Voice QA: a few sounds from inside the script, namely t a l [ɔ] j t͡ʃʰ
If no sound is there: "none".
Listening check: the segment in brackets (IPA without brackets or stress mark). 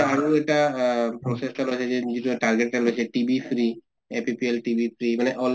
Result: o